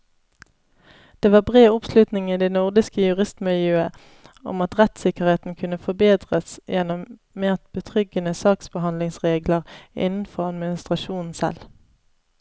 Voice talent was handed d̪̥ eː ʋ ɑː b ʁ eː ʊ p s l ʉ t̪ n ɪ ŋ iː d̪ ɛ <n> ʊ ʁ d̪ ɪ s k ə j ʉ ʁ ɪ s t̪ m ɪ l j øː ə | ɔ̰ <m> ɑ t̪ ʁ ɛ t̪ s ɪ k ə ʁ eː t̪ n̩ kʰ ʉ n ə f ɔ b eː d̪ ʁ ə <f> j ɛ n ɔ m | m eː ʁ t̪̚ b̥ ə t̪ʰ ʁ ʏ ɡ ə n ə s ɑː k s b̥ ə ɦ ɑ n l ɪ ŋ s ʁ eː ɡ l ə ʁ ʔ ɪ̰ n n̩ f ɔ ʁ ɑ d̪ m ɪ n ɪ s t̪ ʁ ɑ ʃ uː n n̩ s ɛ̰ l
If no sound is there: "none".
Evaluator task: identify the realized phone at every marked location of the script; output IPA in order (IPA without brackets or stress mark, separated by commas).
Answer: n, m, s